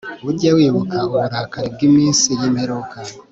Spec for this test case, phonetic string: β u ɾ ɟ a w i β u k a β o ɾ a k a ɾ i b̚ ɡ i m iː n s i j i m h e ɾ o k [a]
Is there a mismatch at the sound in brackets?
no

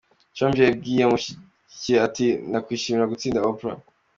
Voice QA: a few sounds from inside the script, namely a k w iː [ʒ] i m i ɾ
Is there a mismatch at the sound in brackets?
yes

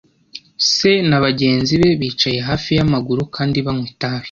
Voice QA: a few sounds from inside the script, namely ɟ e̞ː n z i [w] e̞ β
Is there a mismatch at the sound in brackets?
yes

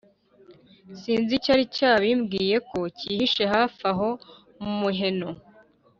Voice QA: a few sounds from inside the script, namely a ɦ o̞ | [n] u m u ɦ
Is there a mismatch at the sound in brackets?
yes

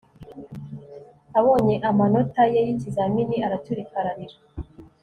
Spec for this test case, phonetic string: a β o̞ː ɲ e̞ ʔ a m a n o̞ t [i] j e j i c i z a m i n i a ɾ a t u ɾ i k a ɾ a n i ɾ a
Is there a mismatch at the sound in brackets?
yes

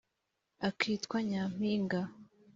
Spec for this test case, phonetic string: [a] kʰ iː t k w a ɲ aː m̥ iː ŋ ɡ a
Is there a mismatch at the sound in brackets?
no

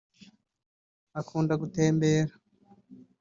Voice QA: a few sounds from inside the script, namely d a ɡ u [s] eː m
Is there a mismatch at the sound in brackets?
yes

